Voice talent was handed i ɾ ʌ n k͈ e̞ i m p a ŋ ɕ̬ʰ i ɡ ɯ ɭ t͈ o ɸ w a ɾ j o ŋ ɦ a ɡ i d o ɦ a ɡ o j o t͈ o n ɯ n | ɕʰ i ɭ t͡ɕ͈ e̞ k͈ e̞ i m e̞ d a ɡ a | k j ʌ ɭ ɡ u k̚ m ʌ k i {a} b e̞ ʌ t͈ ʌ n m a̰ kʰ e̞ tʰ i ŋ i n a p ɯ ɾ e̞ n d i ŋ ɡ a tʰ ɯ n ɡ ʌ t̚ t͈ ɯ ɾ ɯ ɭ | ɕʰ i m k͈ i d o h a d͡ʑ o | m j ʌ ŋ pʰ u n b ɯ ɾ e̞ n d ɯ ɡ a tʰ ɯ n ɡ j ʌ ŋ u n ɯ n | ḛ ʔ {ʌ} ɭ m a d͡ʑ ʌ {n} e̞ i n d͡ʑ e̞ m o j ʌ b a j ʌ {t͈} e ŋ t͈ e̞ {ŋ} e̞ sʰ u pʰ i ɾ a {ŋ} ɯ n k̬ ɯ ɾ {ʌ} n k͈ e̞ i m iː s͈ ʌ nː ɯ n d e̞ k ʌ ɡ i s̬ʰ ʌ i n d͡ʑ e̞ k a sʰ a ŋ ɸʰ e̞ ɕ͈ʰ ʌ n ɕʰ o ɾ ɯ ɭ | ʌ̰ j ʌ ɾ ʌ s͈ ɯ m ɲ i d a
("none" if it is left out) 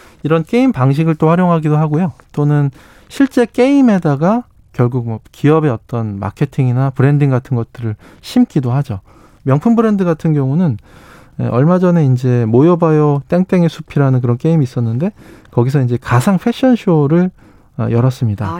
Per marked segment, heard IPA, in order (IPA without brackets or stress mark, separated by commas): ʌ, ʌ, n, t͈, ŋ, n, ʌ